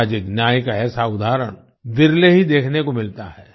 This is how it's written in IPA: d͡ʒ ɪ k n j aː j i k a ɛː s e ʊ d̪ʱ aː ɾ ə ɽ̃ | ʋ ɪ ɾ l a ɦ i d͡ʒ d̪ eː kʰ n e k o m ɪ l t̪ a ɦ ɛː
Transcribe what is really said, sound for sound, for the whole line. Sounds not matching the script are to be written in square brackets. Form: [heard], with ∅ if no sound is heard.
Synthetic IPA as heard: d͡ʒ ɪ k n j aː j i k a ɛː s [a] ʊ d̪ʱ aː ɾ ə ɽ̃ | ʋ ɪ ɾ l [e] ɦ i [∅] d̪ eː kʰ n e k o m ɪ l t̪ a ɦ ɛː